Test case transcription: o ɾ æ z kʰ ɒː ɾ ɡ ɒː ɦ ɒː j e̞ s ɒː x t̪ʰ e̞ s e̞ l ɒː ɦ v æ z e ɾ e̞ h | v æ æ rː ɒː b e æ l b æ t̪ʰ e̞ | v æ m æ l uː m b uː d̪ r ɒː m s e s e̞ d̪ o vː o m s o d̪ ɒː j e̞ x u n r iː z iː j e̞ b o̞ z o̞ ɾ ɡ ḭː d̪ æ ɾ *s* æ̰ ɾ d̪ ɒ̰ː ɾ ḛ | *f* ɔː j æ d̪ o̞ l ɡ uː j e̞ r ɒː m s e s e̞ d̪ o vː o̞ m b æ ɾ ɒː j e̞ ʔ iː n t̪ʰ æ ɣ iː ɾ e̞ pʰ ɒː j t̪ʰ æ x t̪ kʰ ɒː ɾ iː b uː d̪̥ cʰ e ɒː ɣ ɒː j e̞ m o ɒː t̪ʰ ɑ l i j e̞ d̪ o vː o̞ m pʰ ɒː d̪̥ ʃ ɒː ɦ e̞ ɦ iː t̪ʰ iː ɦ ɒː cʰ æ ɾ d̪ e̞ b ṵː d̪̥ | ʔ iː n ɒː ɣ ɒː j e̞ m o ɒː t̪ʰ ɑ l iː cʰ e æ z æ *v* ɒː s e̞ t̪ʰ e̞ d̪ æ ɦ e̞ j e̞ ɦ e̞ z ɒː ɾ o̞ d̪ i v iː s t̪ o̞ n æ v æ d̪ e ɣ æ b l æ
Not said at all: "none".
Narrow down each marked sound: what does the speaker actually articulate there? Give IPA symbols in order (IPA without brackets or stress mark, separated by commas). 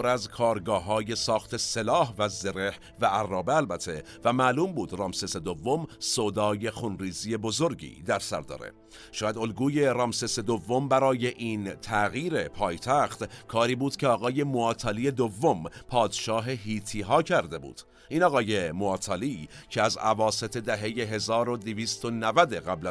s, ʃ, v